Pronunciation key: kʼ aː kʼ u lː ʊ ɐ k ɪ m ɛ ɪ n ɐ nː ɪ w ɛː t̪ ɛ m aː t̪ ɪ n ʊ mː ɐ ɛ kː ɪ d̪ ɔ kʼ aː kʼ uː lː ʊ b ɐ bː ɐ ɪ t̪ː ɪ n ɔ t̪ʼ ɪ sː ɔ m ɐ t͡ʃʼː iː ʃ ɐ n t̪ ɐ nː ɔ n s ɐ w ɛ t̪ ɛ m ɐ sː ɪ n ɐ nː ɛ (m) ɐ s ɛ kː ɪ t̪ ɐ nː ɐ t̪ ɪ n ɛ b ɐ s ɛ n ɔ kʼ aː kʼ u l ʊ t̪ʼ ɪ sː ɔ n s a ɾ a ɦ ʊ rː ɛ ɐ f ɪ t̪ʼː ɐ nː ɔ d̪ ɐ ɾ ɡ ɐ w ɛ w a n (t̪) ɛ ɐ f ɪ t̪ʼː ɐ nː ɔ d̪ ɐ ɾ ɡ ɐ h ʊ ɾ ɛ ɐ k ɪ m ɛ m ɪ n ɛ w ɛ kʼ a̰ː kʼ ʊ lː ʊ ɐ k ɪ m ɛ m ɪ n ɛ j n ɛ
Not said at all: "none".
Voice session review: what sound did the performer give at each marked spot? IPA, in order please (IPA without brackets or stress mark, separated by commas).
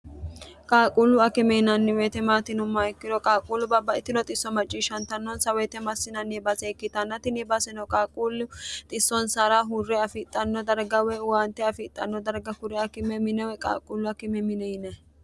b, t̪